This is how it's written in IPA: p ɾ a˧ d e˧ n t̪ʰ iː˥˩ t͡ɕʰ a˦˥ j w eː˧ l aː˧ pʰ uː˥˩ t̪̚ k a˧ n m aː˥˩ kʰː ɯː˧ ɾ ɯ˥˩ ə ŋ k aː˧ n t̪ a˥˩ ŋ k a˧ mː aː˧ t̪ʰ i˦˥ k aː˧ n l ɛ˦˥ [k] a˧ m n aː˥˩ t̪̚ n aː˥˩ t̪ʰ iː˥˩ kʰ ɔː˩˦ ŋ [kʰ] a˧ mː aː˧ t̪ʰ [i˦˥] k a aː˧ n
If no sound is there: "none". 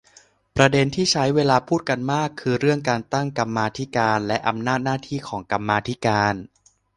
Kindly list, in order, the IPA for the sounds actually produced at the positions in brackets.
ʔ, k, i˦˥

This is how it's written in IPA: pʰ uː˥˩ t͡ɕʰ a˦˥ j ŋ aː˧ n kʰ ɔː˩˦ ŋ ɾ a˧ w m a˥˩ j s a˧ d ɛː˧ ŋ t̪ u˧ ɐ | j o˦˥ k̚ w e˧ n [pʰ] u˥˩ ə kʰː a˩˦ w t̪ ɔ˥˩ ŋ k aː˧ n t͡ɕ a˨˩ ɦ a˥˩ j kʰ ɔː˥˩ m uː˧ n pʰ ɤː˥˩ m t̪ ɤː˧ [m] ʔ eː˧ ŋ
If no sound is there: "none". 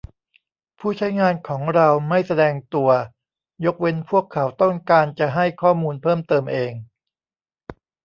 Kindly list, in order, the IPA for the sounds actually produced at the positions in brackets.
pʰ, m

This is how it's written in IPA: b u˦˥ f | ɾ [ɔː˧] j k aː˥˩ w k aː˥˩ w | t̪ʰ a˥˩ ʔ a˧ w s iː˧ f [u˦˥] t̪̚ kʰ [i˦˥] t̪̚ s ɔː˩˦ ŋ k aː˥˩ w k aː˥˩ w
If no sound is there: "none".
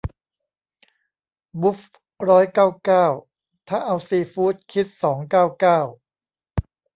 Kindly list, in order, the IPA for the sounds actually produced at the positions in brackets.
ɔː˦˥, uː˦˥, i˦˥

